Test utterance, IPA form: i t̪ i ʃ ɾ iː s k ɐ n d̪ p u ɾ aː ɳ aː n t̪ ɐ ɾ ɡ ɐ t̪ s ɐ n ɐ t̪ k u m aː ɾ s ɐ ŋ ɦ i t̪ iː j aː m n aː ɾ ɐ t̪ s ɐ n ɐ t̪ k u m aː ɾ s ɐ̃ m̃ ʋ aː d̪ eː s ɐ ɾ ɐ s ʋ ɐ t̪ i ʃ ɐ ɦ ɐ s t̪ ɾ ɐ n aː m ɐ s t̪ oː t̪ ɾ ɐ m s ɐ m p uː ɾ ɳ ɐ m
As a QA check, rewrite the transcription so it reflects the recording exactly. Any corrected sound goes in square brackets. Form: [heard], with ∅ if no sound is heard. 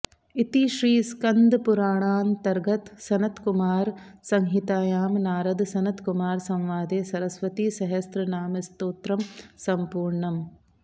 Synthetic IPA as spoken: i t̪ i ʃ ɾ iː s k ɐ n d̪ p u ɾ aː ɳ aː n t̪ ɐ ɾ ɡ ɐ t̪ s ɐ n ɐ t̪ k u m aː ɾ s ɐ ŋ ɦ i t̪ [aː] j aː m n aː ɾ ɐ [d̪] s ɐ n ɐ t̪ k u m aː ɾ s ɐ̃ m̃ ʋ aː d̪ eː s ɐ ɾ ɐ s ʋ ɐ t̪ i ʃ ɐ ɦ ɐ s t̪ ɾ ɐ n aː m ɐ s t̪ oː t̪ ɾ ɐ m s ɐ m p uː ɾ ɳ ɐ m